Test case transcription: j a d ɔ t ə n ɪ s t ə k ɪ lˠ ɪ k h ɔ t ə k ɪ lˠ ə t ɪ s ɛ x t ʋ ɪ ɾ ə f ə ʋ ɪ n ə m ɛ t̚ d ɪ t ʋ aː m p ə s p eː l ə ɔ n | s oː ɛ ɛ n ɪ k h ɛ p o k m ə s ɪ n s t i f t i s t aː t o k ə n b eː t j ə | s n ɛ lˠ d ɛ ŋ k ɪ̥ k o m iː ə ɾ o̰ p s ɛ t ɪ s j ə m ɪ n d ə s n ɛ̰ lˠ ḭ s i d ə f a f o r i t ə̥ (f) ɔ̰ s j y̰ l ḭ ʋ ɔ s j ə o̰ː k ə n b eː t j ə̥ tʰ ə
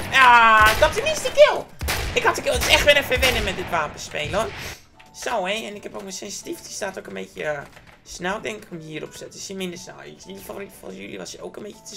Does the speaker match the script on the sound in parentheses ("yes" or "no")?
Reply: yes